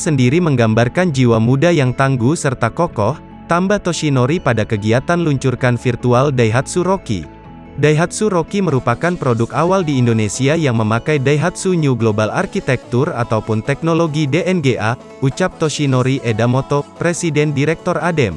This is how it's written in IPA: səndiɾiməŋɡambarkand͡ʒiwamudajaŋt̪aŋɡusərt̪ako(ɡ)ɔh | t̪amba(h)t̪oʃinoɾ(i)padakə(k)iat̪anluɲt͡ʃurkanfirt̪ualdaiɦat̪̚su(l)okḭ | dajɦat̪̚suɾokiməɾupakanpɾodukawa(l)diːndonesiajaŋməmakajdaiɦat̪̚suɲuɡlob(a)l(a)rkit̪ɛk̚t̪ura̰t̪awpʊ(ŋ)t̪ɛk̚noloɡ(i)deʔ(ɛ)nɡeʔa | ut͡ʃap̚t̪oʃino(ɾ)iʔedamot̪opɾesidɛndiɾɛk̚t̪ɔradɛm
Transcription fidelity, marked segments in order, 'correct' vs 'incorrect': incorrect: k, correct, correct, incorrect: ɡ, incorrect: ɾ, correct, correct, correct, incorrect: n, correct, correct, correct

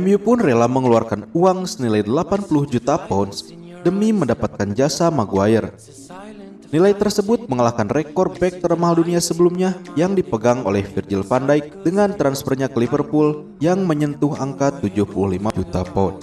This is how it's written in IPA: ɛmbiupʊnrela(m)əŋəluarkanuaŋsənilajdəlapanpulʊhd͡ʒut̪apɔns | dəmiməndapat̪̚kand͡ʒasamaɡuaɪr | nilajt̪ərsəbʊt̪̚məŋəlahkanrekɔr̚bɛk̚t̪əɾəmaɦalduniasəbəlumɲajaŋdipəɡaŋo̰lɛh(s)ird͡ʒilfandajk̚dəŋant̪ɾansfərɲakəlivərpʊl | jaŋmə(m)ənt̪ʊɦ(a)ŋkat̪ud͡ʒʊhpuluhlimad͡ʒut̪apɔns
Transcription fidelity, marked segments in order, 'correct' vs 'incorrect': correct, incorrect: f, incorrect: ɲ, correct

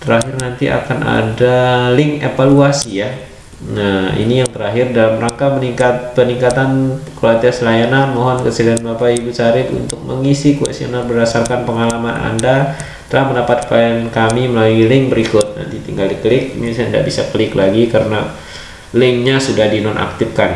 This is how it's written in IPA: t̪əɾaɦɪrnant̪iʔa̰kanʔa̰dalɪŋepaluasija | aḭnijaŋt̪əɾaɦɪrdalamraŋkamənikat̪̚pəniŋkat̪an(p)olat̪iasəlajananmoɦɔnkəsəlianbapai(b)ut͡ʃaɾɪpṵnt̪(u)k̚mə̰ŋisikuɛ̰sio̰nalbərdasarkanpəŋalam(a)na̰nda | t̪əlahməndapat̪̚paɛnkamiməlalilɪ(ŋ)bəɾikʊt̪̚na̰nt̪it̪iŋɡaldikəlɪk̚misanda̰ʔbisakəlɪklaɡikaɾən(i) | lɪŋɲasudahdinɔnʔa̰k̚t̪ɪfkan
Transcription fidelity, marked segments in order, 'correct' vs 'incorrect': incorrect: k, correct, incorrect: ʊ, correct, correct, incorrect: a

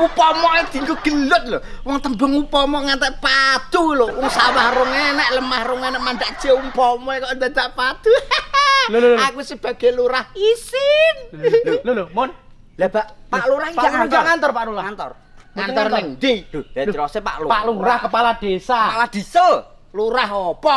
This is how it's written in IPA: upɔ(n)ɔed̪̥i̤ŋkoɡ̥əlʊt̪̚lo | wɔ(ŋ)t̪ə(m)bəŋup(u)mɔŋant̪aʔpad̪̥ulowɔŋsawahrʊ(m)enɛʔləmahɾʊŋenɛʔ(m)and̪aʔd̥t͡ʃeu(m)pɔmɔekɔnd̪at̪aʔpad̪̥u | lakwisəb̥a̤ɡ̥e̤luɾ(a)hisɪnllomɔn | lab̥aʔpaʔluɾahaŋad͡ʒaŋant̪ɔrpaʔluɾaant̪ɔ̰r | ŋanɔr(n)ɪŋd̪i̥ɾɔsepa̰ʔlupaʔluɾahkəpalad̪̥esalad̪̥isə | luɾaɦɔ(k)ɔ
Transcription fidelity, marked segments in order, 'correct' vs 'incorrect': incorrect: m, correct, correct, incorrect: ɔ, incorrect: ŋ, correct, correct, correct, correct, incorrect: p

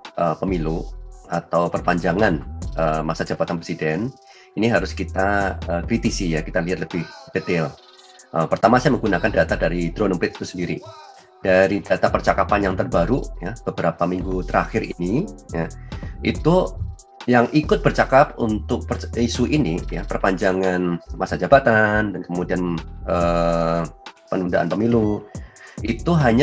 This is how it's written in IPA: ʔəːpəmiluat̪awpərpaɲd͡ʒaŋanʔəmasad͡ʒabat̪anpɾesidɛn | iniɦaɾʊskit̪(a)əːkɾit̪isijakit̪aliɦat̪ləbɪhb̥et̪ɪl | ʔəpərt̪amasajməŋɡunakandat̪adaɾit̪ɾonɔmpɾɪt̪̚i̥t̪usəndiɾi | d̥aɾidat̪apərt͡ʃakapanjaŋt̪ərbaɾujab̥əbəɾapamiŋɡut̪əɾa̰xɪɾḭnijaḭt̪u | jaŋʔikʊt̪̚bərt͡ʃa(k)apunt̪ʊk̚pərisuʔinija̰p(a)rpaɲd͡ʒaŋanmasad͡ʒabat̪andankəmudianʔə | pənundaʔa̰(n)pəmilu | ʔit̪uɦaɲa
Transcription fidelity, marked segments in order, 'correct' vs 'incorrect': correct, correct, incorrect: ə, correct

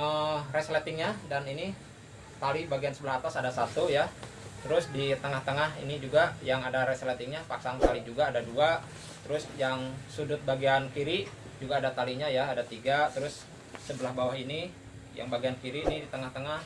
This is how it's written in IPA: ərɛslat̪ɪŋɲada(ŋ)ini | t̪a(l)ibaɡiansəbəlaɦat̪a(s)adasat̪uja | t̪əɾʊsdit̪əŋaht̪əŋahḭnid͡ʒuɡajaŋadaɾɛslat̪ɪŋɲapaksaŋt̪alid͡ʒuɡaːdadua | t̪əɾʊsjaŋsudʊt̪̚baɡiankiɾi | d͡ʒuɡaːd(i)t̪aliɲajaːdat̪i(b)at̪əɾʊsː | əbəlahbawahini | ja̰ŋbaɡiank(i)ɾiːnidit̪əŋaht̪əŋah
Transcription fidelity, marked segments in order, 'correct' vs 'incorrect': incorrect: n, correct, correct, incorrect: a, incorrect: ɡ, correct

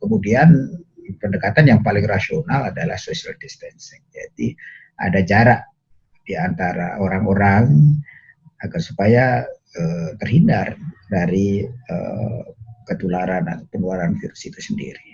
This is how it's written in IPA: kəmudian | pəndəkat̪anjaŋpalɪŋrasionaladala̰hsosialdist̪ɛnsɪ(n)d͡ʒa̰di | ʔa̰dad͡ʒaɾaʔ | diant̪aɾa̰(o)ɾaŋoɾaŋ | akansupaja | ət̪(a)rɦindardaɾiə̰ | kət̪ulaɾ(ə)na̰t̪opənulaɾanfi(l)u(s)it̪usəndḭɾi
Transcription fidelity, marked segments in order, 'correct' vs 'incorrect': incorrect: ŋ, correct, incorrect: ə, incorrect: a, incorrect: ɾ, correct

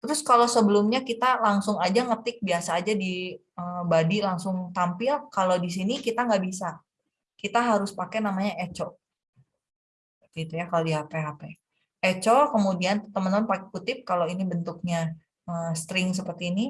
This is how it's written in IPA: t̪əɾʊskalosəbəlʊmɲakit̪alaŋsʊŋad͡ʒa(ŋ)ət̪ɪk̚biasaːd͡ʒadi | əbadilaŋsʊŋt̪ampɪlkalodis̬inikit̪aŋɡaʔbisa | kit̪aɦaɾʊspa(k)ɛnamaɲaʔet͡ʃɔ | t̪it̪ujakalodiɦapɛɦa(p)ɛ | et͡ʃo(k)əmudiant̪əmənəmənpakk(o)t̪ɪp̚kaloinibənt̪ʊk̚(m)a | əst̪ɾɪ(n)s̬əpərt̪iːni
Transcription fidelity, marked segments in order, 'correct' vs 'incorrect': correct, correct, correct, correct, incorrect: u, incorrect: ɲ, incorrect: ŋ

